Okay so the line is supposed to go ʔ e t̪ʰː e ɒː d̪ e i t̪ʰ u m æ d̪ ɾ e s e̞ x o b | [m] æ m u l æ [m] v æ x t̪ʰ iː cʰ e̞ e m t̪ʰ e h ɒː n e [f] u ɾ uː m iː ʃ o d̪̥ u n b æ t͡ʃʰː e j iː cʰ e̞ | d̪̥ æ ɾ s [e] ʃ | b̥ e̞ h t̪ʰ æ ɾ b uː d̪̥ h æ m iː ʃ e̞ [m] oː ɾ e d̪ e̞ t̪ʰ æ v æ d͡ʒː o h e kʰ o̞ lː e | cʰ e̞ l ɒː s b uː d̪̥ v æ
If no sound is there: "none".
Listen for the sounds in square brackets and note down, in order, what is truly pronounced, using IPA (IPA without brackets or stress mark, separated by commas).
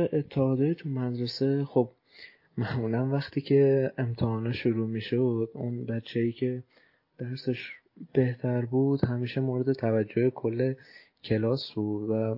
m, n, ʃ, e, m